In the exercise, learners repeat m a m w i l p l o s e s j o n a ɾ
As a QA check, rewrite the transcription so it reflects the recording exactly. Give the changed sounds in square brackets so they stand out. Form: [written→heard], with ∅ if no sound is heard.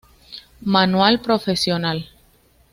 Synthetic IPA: m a [m→n] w [i→a] l p [l→ɾ] o [s→f] e s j o n a [ɾ→l]